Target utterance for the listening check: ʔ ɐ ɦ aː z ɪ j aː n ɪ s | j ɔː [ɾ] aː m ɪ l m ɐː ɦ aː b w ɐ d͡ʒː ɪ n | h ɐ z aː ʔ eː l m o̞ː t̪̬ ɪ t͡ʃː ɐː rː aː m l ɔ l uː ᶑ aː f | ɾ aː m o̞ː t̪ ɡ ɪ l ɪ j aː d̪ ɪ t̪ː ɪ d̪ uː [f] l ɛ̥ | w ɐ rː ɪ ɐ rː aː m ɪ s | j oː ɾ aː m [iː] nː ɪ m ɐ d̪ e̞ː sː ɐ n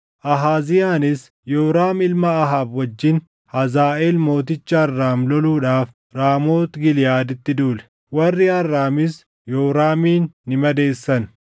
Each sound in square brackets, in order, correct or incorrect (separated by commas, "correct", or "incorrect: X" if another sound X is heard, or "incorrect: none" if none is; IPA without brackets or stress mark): correct, incorrect: none, correct